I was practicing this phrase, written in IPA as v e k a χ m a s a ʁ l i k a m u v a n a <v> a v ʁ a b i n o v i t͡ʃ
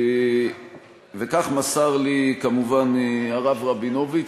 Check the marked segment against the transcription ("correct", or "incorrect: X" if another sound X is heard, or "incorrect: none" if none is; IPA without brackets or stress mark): incorrect: ʁ